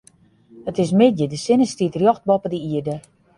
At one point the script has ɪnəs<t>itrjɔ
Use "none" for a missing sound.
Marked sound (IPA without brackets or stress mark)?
t